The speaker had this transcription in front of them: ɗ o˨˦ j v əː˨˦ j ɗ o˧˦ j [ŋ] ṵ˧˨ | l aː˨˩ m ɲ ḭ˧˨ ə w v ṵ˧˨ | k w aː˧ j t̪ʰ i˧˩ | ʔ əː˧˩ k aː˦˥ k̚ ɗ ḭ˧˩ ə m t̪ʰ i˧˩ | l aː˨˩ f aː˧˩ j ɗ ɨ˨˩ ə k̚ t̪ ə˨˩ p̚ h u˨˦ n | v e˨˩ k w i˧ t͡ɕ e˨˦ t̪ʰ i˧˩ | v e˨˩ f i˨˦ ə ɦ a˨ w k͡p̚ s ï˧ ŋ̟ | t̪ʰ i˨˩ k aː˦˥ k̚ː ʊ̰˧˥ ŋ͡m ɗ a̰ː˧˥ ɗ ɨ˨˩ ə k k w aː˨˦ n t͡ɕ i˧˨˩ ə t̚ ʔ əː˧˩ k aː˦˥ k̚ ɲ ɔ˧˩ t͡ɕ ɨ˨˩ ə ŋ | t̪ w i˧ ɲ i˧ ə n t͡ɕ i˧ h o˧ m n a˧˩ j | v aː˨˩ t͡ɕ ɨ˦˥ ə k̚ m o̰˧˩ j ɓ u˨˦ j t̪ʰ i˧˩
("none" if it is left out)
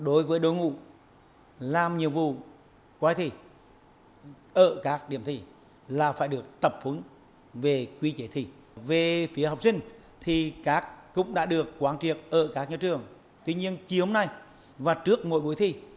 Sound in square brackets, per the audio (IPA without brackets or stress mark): ŋ